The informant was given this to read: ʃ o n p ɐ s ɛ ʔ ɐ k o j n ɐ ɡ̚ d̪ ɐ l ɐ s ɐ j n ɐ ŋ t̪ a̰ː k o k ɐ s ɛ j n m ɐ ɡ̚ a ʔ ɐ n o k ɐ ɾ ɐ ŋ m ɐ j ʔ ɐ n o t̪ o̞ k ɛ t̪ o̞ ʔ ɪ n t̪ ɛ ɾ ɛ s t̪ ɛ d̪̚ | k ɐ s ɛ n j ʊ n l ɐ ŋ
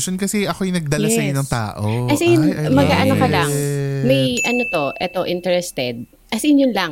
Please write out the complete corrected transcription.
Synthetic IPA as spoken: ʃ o n k ɐ s ɛ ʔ ɐ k o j n ɐ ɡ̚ d̪ ɐ l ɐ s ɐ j n ɐ ŋ t̪ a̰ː ʔ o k ɐ s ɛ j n m ɐ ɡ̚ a ʔ ɐ n o k ɐ l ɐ ŋ m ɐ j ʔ ɐ n o t̪ o̞ ʔ ɛ t̪ o̞ ʔ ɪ n t̪ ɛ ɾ ɛ s t̪ ɛ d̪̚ | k ɐ s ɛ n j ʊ n l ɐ ŋ